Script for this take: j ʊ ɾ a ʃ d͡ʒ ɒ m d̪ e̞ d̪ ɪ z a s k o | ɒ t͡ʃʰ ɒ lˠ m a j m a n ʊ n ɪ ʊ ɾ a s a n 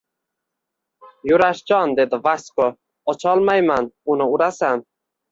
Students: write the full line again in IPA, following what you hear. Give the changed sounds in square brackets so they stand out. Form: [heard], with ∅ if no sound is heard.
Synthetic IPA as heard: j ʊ ɾ a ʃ d͡ʒ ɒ [n] d̪ e̞ d̪ ɪ [v] a s k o | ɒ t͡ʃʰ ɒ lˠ m a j m a n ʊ n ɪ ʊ ɾ a s a n